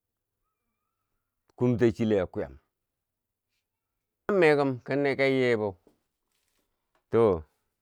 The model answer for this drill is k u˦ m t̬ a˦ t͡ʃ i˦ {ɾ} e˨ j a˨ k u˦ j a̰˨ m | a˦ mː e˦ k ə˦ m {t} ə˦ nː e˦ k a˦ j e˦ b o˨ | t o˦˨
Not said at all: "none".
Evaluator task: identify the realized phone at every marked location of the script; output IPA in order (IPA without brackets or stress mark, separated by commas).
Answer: l, k